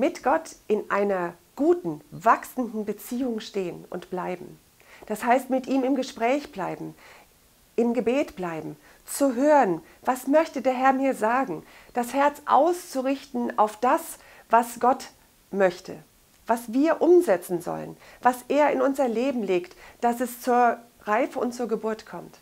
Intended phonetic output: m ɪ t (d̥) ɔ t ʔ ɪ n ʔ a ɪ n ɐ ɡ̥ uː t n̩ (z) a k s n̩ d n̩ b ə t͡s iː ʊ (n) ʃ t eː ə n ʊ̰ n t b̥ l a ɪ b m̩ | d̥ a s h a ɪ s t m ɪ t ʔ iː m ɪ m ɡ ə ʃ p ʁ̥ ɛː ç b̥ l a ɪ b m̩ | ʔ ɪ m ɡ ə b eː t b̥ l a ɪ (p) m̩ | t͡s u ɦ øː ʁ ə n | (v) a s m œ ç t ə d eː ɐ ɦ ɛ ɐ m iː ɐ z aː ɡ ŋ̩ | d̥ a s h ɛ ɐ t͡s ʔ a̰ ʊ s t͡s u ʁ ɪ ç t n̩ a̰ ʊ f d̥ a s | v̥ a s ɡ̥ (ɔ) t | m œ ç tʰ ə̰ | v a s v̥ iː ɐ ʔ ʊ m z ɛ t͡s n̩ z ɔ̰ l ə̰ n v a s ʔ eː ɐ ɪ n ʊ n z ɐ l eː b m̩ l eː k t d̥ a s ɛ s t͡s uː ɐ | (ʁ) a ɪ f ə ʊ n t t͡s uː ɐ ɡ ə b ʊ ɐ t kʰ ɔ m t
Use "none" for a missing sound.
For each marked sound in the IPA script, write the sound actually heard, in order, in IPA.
ɡ̥, v, ŋ, b, v, ɔ, ʁ

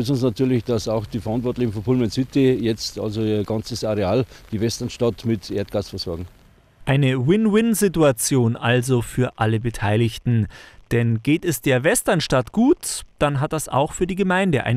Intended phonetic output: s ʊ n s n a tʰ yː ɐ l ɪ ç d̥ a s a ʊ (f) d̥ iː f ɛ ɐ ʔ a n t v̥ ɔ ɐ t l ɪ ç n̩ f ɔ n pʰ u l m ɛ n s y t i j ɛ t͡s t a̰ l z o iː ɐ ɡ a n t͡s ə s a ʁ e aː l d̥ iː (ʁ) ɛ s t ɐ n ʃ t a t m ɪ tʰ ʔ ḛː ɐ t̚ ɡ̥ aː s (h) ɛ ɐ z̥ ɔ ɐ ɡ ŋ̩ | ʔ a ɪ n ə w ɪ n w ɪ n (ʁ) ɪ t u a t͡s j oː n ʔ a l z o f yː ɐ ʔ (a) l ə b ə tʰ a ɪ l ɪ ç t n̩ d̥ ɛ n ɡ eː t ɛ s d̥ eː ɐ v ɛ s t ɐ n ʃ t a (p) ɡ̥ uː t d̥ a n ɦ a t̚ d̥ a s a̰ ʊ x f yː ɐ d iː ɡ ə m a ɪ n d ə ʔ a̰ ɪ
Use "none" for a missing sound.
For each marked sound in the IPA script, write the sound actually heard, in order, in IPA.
x, v, f, z, a, t

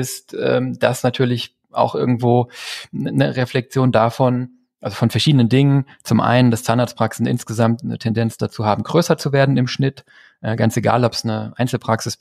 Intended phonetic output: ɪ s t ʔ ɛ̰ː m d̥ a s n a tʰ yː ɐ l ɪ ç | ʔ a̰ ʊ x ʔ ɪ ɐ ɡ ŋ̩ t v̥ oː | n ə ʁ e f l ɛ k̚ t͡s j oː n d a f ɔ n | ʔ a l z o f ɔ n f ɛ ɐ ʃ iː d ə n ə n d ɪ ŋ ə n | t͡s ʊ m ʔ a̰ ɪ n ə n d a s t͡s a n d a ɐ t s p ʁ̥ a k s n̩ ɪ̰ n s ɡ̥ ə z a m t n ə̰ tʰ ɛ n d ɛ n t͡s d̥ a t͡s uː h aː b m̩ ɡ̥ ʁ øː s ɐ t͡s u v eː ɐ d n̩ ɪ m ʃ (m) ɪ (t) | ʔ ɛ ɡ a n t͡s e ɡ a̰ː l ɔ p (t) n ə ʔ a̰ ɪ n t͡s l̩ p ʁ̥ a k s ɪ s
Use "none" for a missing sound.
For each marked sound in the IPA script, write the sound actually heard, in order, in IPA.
n, t, s

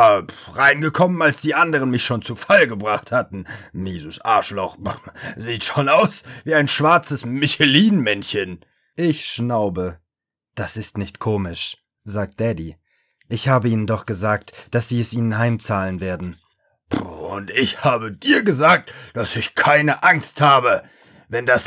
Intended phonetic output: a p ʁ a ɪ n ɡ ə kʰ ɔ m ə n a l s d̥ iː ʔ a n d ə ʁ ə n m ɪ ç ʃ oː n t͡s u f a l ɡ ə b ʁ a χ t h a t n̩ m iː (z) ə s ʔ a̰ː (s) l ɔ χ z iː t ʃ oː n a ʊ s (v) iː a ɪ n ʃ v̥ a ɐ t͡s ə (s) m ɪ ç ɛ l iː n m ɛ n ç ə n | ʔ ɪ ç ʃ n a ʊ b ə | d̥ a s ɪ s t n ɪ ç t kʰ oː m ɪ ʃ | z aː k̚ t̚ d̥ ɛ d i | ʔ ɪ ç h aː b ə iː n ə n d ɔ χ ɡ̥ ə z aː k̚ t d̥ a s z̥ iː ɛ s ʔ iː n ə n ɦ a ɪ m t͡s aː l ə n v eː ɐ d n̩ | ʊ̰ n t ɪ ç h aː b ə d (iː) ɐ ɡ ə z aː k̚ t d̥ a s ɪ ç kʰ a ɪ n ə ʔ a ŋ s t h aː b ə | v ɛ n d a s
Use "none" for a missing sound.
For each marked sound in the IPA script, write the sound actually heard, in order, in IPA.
z, ʃ, v, s, iː

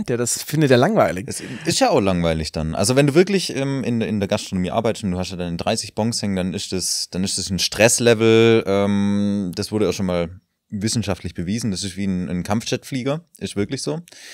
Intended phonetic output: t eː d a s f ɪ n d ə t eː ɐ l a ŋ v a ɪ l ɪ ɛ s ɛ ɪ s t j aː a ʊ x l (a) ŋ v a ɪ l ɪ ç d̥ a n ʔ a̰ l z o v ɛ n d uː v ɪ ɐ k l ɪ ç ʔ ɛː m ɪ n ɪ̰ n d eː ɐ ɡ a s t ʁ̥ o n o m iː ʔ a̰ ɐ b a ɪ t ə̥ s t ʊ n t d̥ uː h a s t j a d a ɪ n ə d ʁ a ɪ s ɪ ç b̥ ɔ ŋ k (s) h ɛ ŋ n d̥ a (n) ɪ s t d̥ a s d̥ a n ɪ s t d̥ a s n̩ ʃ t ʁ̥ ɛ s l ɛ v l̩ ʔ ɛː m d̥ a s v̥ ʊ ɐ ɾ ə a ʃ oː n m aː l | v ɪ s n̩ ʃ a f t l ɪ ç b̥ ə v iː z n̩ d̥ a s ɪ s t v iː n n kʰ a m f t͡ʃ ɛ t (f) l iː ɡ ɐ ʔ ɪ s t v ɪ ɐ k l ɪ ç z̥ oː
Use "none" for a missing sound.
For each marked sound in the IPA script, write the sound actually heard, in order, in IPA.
a, s, n, f

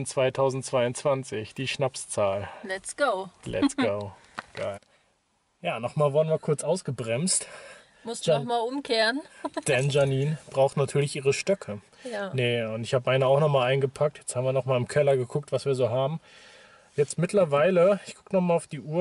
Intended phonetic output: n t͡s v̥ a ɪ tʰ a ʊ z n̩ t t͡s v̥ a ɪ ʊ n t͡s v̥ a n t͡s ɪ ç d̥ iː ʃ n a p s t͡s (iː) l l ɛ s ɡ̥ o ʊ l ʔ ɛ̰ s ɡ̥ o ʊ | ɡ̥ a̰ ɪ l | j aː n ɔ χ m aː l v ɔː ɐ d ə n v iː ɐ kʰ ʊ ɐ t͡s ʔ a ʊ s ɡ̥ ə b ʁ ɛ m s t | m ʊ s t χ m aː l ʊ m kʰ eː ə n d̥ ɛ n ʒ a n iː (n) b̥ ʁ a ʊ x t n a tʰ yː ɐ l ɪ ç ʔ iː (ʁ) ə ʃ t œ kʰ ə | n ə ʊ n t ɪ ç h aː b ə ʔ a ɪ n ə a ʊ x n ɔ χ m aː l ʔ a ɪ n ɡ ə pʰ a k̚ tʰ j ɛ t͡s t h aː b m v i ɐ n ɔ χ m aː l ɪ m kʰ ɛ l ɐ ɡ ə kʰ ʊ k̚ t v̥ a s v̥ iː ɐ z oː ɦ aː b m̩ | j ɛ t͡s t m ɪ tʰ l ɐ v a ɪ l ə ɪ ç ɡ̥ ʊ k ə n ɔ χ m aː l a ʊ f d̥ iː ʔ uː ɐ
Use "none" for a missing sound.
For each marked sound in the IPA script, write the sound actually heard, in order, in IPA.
aː, n, ʁ

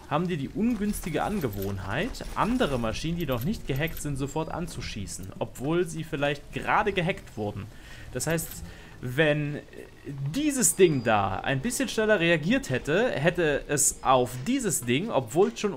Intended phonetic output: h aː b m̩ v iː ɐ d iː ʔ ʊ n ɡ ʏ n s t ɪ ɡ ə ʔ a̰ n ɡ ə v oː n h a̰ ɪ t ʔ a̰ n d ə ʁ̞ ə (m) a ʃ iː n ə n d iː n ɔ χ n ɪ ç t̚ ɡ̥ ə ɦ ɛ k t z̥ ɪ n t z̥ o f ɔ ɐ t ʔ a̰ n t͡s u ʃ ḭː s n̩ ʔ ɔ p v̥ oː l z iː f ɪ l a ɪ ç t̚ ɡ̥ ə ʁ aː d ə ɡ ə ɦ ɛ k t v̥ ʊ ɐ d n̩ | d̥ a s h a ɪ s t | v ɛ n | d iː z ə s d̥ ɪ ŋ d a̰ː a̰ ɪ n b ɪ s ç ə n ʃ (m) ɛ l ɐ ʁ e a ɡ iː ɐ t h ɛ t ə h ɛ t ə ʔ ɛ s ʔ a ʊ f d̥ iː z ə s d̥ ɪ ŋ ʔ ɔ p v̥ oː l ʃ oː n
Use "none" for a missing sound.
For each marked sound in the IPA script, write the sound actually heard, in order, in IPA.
m, n

